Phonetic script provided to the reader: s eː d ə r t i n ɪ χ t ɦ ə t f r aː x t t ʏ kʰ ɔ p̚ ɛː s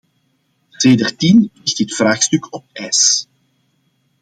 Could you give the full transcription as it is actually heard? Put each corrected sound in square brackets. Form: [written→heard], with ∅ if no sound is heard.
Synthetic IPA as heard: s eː d ə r t i n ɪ [χ→x] t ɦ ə t f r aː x [t→s] t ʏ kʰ ɔ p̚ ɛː s